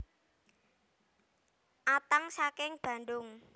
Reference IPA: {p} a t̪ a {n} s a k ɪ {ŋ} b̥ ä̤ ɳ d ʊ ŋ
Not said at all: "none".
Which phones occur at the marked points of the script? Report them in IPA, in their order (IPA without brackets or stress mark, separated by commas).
ʔ, ŋ, ŋ